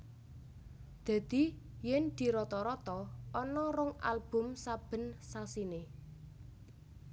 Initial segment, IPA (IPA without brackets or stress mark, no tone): d̪̥